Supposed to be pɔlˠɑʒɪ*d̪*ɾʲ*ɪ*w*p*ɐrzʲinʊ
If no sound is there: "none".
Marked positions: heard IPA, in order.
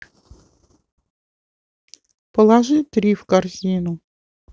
t̪, i, k

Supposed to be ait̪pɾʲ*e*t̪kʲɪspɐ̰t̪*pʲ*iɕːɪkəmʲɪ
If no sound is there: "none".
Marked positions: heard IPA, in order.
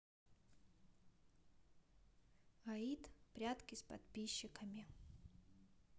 a, pʲ

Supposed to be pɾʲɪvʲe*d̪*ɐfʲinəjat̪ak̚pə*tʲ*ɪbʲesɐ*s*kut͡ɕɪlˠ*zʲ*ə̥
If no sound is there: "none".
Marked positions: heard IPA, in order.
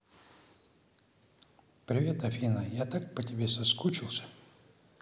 t̪, tʲ, s, sʲ

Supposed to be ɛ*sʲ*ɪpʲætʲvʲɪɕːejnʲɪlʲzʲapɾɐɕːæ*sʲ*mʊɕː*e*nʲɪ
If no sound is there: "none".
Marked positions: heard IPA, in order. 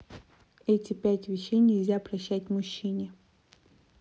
tʲ, tʲ, i

